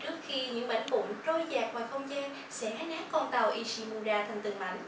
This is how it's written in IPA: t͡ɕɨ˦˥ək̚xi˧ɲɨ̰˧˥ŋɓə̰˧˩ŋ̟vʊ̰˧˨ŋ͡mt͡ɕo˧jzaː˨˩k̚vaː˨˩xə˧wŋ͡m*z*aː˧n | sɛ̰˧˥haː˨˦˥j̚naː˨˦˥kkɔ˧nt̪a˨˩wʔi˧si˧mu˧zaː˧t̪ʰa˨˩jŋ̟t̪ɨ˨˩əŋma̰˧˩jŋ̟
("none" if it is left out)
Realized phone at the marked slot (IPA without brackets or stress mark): z